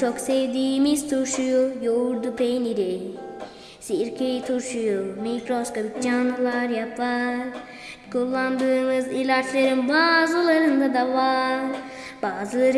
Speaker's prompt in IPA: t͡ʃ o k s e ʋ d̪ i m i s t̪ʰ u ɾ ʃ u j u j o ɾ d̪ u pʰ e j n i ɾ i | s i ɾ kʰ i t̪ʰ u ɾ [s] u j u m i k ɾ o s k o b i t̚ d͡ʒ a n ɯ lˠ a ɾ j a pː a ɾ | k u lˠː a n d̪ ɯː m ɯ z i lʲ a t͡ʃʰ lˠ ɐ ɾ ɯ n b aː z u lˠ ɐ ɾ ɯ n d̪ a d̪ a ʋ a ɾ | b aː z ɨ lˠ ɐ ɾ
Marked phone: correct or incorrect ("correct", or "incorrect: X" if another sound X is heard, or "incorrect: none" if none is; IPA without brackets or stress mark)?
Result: incorrect: ʃ